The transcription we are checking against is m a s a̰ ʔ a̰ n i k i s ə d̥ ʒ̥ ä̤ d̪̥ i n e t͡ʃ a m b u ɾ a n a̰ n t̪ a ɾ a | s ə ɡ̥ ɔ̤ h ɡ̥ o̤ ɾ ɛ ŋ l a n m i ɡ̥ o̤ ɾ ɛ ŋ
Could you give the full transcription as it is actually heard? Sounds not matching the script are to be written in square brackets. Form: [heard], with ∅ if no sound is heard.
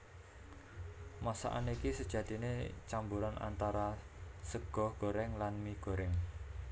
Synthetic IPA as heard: m a s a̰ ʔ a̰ n i k i s ə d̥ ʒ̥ ä̤ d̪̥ i n e t͡ʃ a m b u ɾ a n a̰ n t̪ a ɾ a | s ə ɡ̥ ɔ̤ h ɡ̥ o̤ ɾ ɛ ŋ l a n m i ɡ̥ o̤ ɾ ɛ ŋ